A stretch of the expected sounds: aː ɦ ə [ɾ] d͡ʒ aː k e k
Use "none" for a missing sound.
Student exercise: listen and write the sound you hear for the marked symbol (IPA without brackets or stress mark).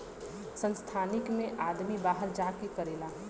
ɾ